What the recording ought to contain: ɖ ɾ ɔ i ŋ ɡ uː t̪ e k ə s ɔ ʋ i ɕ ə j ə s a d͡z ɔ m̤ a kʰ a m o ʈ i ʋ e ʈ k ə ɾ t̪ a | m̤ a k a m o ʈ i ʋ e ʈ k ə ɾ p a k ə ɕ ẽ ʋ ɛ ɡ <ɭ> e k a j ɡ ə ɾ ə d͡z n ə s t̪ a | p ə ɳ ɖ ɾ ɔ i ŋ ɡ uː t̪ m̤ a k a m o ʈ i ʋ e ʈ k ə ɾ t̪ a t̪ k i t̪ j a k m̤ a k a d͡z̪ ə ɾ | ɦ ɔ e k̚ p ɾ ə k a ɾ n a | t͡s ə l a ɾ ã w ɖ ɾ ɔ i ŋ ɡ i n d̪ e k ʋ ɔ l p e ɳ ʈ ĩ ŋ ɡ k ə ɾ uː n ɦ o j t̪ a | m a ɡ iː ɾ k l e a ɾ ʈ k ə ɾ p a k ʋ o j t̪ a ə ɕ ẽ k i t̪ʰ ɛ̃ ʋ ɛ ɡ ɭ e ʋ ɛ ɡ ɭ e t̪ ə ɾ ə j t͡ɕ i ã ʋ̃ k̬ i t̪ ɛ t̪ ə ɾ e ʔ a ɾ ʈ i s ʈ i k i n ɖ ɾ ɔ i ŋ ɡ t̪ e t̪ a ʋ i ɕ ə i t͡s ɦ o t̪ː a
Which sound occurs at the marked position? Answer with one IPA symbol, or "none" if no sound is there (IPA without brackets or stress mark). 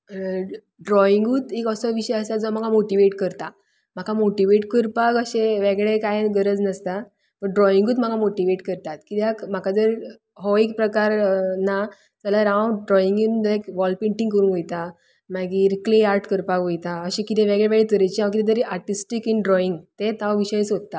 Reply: ɭ